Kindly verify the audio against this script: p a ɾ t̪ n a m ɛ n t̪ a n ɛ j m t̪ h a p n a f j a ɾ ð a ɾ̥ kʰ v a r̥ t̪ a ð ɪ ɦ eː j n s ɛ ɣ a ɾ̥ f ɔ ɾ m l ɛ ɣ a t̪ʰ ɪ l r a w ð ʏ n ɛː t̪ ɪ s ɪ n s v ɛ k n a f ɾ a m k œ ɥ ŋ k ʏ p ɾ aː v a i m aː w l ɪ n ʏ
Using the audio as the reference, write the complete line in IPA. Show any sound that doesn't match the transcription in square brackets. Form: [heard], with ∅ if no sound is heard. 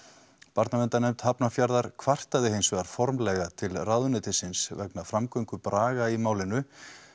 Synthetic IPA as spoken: p a ɾ t̪ n a m ɛ n t̪ a n ɛ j m t̪ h a p n a f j a ɾ ð a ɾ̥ kʰ v a r̥ t̪ a ð ɪ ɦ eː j n s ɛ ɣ a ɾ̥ f ɔ ɾ m l ɛ ɣ a t̪ʰ ɪ l r a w ð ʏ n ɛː t̪ ɪ s ɪ n s v ɛ k n a f ɾ a m k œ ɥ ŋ k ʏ p ɾ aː [ɣ] a i m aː w l ɪ n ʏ